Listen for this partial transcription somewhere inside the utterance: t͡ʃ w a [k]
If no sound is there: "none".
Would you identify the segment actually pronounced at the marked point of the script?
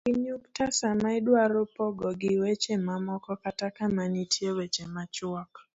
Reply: k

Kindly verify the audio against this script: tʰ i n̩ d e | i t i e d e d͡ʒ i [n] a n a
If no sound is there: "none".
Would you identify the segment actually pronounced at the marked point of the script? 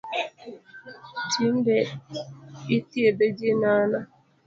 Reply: n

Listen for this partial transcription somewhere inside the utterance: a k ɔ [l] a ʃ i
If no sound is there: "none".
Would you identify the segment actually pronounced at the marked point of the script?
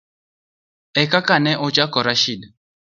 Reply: ɾ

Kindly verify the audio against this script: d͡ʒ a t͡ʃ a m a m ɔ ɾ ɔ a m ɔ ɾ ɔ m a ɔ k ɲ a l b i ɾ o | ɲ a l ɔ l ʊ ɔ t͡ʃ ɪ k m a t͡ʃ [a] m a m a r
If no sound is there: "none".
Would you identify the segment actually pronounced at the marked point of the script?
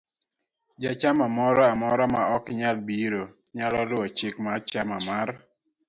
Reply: a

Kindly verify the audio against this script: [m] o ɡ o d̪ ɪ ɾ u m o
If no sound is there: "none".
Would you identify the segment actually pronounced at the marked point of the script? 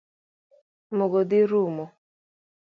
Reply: m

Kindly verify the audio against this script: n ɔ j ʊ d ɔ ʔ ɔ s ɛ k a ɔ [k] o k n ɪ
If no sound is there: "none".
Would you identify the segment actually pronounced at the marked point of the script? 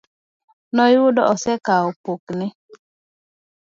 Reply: p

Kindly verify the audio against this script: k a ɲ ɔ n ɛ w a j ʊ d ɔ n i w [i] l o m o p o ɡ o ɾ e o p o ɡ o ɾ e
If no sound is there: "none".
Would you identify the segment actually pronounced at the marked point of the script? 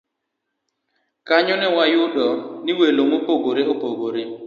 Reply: e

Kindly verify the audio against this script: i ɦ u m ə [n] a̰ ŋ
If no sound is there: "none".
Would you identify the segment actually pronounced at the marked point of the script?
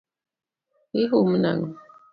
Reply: n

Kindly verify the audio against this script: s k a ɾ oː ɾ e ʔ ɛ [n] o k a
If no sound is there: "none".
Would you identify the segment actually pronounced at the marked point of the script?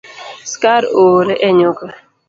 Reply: ɲ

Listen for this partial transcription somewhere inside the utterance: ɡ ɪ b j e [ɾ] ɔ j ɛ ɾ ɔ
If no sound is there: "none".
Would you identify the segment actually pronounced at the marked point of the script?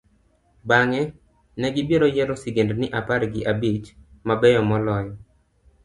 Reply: ɾ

